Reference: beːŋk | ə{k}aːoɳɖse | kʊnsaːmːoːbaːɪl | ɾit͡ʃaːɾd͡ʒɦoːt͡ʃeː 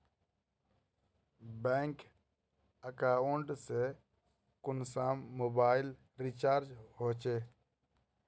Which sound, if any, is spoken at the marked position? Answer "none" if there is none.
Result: k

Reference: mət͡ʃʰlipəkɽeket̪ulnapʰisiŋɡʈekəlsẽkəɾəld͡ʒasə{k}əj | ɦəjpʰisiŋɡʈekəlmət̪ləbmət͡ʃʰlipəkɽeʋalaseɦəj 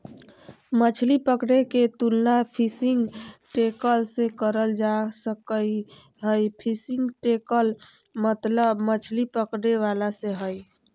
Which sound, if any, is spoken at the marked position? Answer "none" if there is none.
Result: k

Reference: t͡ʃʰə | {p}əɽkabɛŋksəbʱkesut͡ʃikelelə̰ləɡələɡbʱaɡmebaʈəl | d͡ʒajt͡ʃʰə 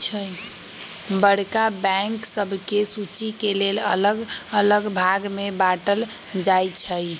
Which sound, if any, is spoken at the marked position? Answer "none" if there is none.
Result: b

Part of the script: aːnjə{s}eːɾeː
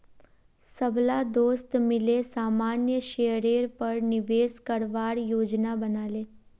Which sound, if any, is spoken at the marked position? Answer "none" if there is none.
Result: ʃ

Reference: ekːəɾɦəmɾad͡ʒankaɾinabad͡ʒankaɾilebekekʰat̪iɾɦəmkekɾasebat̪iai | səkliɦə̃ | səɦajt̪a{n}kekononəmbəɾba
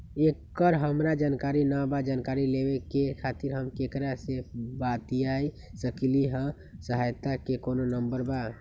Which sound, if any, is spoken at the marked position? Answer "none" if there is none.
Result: none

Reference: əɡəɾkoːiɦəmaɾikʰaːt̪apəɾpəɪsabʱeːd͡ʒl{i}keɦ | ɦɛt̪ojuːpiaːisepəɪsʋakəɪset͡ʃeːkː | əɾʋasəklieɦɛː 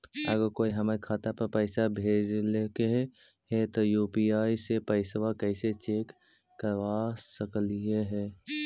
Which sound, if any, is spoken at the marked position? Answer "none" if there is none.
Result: e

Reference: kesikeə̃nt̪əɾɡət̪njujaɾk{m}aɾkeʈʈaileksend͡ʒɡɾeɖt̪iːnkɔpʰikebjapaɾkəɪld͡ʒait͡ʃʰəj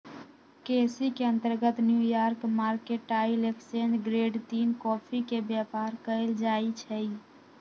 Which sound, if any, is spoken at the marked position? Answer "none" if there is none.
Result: m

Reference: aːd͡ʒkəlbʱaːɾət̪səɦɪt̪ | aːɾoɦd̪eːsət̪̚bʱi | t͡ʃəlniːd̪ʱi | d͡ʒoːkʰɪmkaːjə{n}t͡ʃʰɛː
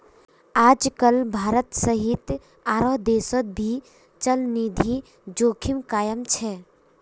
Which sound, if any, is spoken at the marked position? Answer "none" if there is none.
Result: m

